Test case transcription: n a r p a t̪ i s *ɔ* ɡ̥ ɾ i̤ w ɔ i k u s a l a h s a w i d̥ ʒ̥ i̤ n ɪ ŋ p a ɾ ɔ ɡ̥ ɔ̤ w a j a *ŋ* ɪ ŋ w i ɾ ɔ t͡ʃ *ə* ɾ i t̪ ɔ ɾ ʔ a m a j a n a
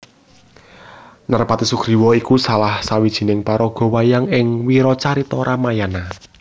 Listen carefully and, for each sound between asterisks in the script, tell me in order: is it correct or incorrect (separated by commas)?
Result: incorrect, correct, incorrect